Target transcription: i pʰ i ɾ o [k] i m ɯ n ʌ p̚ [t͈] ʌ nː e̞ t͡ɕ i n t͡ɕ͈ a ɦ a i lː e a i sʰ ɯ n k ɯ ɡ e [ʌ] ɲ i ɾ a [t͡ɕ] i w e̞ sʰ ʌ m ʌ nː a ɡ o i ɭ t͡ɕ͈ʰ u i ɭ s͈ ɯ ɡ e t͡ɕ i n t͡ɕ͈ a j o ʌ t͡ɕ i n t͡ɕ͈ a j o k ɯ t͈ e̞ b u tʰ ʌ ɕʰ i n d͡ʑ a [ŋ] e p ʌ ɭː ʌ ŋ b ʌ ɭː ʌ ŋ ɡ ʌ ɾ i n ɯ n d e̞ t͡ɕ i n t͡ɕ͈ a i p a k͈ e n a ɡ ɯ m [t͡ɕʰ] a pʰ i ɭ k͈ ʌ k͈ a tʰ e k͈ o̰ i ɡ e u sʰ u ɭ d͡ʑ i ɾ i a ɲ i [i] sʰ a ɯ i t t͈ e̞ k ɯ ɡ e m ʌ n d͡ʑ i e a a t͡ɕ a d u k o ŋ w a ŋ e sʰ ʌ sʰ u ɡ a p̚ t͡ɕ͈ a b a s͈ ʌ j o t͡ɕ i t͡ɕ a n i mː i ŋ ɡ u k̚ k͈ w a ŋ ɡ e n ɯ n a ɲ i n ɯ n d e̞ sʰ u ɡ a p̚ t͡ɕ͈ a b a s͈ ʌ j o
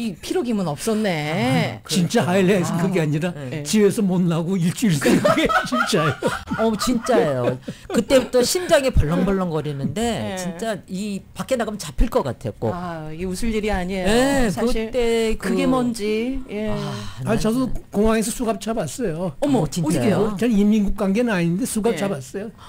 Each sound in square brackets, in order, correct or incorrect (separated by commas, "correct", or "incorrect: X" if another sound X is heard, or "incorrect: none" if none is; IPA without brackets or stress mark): incorrect: ɡ, incorrect: s͈, incorrect: a, correct, correct, incorrect: t͡ɕ, incorrect: e